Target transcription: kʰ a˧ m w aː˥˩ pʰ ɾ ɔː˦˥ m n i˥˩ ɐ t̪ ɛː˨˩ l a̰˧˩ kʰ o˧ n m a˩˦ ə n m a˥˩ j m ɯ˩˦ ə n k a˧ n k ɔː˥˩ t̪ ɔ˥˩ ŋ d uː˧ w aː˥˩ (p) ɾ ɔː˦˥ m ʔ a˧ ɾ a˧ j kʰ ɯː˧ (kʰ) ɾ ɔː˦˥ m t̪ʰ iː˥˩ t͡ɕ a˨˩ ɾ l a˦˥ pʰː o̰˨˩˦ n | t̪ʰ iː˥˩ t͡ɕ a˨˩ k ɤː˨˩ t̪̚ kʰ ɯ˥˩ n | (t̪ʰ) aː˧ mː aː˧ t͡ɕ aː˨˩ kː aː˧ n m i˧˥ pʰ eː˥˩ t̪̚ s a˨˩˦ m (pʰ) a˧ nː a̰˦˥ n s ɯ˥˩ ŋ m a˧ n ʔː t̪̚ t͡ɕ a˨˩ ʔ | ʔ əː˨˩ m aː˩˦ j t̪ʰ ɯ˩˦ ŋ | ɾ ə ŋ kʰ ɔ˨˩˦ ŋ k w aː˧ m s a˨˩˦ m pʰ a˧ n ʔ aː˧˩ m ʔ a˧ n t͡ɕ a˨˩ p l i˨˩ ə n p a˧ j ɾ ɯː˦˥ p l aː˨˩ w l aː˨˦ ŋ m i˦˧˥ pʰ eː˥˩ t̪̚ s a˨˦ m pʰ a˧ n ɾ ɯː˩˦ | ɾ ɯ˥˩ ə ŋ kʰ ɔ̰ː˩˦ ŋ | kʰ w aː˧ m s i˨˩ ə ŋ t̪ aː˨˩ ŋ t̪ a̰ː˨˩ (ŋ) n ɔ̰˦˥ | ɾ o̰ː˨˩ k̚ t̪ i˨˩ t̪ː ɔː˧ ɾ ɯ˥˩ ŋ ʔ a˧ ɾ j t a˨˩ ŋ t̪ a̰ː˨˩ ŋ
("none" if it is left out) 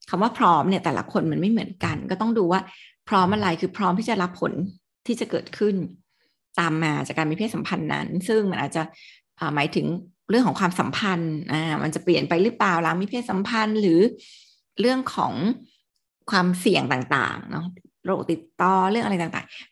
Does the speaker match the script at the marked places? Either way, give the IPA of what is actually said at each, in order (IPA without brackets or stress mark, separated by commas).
pʰ, pʰ, t̪, pʰ, ŋ